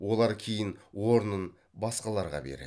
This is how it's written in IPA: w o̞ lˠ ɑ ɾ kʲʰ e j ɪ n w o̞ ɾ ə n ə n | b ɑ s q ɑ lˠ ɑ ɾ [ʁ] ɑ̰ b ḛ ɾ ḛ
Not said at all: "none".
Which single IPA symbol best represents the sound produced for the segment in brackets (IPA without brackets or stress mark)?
ʁ